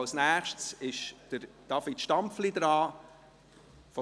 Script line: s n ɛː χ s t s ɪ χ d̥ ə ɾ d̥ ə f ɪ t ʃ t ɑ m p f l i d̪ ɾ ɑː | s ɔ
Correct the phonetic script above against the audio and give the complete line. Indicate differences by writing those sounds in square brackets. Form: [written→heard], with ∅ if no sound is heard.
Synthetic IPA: s n [ɛː→æː] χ [s→ʃ] t s ɪ [χ→ʃ] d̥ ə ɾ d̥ [ə→ɑ] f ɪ t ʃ t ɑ m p f l i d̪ ɾ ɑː | [s→f] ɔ